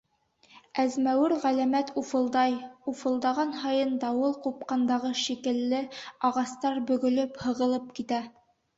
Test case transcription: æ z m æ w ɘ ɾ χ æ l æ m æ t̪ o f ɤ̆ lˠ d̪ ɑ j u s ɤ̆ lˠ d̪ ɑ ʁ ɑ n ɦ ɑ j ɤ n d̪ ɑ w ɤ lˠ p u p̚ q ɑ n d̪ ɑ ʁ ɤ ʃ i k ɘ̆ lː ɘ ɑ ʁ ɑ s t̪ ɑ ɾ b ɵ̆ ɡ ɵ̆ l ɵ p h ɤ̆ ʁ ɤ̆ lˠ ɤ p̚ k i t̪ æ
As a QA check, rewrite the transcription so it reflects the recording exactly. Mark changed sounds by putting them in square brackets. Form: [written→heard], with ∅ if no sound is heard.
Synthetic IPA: æ z m æ w ɘ ɾ [χ→ʁ] æ l æ m æ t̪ [o→u] f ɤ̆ lˠ d̪ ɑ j u [s→f] ɤ̆ lˠ d̪ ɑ ʁ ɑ n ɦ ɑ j ɤ n d̪ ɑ w ɤ lˠ [p→q] u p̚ q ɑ n d̪ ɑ ʁ ɤ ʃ i k ɘ̆ lː ɘ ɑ ʁ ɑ s t̪ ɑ ɾ b ɵ̆ ɡ ɵ̆ l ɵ p h ɤ̆ ʁ ɤ̆ lˠ ɤ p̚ k i t̪ æ